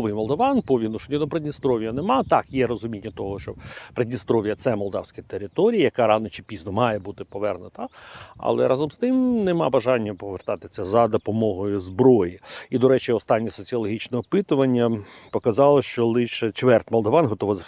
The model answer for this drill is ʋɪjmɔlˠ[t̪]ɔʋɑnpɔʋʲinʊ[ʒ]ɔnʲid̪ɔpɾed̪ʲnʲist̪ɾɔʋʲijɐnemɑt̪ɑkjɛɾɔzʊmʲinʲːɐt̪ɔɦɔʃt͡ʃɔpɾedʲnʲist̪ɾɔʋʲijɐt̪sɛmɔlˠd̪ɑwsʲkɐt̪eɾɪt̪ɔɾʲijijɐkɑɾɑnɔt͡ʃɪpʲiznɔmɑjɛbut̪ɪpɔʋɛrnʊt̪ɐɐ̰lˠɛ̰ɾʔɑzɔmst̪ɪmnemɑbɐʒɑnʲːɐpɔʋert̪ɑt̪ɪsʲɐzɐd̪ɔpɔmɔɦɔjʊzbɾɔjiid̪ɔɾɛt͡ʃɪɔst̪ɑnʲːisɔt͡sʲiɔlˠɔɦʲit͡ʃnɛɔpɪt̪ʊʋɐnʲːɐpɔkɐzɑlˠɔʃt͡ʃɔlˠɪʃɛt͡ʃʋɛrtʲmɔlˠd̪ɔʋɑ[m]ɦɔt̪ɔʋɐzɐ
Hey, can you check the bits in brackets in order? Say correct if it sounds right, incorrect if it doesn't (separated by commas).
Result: incorrect, incorrect, incorrect